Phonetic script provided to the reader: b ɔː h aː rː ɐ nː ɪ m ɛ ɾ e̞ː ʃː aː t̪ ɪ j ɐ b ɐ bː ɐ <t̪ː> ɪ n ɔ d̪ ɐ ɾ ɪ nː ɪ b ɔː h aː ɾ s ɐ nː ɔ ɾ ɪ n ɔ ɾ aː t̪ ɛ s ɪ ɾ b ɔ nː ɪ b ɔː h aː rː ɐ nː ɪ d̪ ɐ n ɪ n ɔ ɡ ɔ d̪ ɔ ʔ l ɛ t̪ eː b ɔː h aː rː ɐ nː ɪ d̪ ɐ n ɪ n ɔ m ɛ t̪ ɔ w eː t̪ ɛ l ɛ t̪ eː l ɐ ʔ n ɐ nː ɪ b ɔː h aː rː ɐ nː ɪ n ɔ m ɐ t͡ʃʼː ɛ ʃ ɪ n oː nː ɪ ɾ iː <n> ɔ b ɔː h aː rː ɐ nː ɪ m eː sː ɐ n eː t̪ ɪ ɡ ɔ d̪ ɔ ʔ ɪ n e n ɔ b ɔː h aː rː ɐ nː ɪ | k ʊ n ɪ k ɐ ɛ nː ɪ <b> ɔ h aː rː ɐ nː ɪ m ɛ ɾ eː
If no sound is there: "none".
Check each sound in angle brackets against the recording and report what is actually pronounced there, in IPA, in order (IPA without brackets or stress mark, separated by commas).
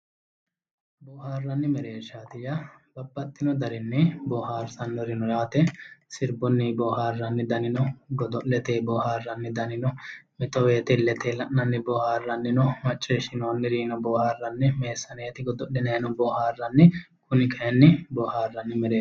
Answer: t̪ː, n, b